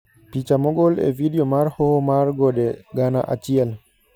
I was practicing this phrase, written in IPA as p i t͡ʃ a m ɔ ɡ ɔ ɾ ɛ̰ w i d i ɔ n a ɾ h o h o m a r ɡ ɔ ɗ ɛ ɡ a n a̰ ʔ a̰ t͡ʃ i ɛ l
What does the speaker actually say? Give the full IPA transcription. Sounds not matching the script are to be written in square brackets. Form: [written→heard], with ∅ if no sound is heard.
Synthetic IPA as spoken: p i t͡ʃ a m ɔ ɡ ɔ [ɾ→l] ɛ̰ [w→v] i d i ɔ [n→m] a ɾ h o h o m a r ɡ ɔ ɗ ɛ ɡ a n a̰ ʔ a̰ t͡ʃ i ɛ l